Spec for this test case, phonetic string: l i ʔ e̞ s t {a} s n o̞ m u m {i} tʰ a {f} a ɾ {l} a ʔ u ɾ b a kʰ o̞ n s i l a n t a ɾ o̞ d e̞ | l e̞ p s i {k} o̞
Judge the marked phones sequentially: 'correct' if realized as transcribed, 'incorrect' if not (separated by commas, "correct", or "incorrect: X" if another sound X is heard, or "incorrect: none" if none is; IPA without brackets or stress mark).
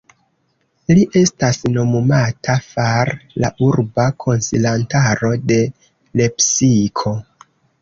correct, incorrect: a, correct, correct, incorrect: kʰ